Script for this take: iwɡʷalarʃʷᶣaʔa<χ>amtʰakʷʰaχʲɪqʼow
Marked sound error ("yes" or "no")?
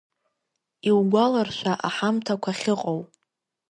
yes